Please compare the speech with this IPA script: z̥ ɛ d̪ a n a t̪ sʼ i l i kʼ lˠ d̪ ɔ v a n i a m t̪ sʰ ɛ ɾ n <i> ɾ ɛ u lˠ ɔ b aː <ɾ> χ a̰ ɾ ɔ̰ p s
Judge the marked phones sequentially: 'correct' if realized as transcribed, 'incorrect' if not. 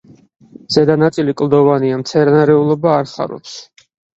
incorrect: a, correct

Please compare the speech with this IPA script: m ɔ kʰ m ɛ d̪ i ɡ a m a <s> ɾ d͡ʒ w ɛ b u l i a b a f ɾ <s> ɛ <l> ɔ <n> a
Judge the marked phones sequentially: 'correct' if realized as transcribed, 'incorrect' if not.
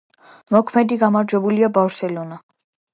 incorrect: none, correct, correct, correct

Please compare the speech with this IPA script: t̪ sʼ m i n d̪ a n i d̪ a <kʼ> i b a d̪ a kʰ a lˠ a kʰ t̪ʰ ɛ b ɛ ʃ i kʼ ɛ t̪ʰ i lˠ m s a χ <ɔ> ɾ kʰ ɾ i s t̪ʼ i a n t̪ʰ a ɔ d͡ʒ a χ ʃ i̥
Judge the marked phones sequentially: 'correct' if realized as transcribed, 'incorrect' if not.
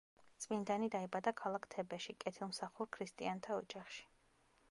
incorrect: none, incorrect: u

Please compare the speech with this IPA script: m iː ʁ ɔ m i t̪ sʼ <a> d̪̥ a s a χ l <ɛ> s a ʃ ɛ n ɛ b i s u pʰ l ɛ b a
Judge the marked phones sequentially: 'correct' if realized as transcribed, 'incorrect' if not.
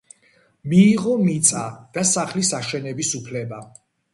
correct, incorrect: i

